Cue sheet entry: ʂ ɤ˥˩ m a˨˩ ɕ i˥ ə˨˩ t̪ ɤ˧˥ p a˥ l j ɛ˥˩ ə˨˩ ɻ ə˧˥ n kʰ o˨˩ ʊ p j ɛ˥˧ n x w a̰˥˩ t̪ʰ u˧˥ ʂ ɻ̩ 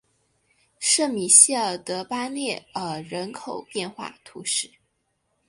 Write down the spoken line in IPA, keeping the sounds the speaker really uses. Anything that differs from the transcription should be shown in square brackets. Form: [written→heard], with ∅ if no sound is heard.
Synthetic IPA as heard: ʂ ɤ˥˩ m [a˨˩→i˨˩] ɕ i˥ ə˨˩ t̪ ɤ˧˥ p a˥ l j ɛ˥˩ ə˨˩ ɻ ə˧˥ n kʰ o˨˩ ʊ p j ɛ˥˧ n x w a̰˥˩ t̪ʰ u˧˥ ʂ ɻ̩